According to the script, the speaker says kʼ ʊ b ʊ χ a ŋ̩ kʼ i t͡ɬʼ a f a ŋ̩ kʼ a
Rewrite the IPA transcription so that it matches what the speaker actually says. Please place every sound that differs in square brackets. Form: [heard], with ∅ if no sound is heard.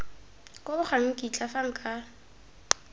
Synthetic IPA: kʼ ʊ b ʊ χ a ŋ̩ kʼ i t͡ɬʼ a f a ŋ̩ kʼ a